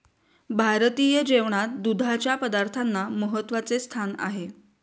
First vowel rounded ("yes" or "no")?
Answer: no